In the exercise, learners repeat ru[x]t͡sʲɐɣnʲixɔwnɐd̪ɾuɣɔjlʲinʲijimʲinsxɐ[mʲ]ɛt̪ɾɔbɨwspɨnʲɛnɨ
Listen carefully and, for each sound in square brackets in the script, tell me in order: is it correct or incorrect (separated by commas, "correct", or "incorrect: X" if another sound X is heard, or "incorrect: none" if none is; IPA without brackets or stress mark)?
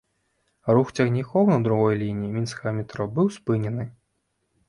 correct, correct